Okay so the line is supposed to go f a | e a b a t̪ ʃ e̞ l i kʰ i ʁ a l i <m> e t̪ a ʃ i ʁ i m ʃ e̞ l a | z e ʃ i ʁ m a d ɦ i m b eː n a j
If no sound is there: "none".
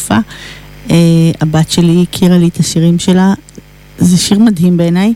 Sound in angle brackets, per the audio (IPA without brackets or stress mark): none